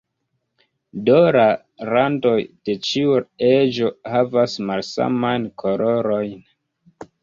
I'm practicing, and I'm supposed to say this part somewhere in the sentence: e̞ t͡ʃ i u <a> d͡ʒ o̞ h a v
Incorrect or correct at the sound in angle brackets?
incorrect: e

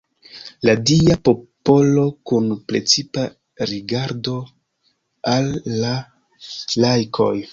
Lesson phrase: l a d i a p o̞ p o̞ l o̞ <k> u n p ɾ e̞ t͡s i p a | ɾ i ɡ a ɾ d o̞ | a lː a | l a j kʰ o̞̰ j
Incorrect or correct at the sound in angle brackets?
correct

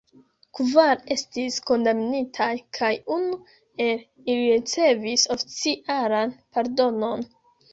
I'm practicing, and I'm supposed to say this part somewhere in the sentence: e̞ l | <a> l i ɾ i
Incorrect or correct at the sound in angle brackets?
incorrect: i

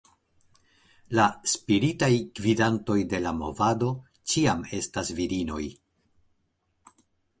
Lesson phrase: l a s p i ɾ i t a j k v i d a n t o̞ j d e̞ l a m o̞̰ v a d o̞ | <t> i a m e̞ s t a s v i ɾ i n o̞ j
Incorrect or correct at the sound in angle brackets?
incorrect: t͡ʃ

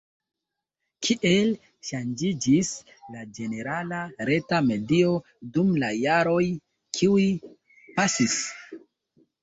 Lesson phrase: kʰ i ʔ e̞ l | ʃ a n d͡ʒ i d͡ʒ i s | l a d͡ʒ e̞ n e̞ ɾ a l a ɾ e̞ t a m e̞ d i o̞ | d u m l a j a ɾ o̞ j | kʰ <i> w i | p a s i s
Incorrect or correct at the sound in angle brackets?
correct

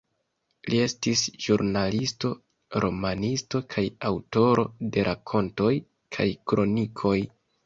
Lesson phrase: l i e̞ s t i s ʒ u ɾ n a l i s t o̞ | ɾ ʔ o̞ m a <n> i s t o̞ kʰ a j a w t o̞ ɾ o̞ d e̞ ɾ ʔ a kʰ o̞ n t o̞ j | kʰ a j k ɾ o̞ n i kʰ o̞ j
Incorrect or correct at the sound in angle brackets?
correct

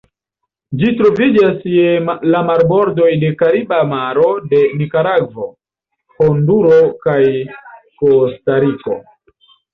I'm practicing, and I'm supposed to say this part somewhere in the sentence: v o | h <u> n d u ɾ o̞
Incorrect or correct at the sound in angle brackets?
incorrect: o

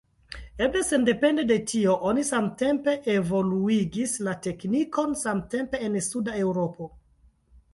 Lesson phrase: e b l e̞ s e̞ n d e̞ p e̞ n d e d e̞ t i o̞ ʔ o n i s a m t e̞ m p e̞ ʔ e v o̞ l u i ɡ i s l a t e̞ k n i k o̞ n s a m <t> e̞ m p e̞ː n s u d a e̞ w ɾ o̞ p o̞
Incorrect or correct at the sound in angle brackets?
correct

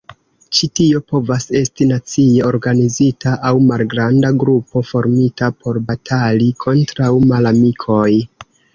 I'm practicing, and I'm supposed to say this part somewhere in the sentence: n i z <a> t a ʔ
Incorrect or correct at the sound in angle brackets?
incorrect: i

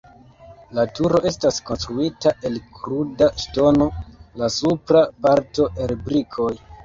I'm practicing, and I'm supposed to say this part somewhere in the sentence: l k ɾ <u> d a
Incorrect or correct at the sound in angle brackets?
correct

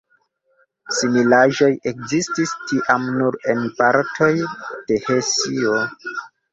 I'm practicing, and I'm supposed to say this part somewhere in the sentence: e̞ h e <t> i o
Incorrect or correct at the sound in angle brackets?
incorrect: s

